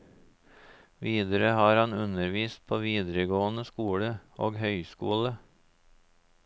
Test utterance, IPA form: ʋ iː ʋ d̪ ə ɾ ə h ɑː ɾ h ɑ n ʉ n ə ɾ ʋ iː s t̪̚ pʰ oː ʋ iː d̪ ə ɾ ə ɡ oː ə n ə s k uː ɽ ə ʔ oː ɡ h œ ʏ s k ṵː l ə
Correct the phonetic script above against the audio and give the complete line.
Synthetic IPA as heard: ʋ iː d̪ ə ɾ ə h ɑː ɾ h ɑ n ʉ n ə ɾ ʋ iː s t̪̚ pʰ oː ʋ iː d̪ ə ɾ ə ɡ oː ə n ə s k uː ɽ ə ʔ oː ɡ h œ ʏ s k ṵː l ə